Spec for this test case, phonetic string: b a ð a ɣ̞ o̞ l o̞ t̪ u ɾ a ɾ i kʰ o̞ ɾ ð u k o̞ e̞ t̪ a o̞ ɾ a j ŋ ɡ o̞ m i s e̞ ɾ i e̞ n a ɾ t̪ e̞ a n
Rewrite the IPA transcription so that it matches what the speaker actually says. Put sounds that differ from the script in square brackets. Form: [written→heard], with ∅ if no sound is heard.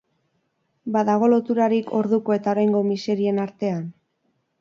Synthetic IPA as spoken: b a ð a ɣ̞ o̞ l o̞ t̪ u ɾ a ɾ i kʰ o̞ ɾ ð u k o̞ e̞ t̪ a o̞ ɾ a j ŋ ɡ o̞ m i s e̞ ɾ i e̞ n a ɾ t̪ e̞ a n